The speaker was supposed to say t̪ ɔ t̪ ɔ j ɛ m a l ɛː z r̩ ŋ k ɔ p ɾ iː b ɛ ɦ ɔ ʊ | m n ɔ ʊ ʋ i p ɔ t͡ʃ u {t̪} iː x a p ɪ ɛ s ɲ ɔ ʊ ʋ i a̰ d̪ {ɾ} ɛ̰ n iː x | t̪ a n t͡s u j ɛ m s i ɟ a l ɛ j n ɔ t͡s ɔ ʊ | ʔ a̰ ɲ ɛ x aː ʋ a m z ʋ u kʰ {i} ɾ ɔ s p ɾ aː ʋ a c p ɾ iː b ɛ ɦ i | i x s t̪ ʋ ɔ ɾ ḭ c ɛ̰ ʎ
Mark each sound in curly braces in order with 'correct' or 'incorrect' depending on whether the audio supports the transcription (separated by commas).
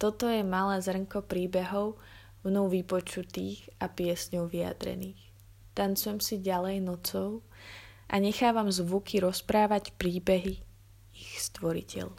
correct, correct, correct